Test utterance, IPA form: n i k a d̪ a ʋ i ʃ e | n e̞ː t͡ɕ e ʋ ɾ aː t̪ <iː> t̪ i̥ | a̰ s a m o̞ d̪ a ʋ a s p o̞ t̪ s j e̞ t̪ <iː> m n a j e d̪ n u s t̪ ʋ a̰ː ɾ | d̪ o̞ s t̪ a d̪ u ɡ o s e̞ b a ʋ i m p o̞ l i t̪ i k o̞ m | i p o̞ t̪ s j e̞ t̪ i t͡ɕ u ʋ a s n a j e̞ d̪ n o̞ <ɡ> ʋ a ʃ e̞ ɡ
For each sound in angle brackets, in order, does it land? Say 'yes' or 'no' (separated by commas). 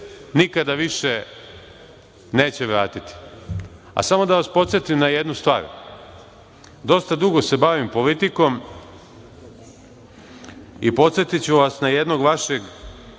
no, no, yes